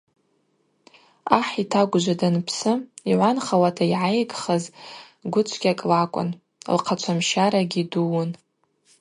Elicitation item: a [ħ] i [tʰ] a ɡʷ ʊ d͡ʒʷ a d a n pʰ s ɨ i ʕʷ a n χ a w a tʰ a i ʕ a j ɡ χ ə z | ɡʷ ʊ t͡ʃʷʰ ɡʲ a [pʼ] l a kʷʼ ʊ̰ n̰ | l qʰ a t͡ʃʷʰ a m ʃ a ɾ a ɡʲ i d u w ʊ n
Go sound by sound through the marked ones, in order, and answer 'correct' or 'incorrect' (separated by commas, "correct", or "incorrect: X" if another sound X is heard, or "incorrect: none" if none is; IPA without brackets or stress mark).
correct, correct, incorrect: kʼ